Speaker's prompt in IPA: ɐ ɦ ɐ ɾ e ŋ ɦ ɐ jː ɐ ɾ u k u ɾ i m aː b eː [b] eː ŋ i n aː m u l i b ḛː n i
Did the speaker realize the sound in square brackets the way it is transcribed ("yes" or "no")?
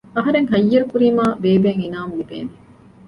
yes